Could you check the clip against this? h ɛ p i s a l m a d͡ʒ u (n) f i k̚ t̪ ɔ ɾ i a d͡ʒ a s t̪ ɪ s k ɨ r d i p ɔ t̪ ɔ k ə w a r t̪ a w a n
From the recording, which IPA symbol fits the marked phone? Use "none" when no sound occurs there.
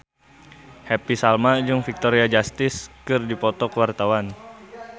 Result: ŋ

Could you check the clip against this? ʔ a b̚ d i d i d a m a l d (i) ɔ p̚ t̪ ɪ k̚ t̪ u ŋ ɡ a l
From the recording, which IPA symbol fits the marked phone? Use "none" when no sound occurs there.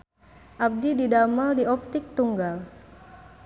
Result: i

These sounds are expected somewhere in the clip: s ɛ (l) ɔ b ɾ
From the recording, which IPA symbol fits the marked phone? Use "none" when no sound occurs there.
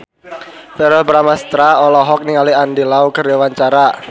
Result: ɾ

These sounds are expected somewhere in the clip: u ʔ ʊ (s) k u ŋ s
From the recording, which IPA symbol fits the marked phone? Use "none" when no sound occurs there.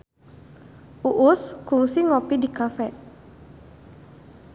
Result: s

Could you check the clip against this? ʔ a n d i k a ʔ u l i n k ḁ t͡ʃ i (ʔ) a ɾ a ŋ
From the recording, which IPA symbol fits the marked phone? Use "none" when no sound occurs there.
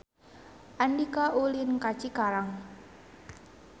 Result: k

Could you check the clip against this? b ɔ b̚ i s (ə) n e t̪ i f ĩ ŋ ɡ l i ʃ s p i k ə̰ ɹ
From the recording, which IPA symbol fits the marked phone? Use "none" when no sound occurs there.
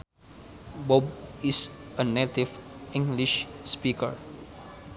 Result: ə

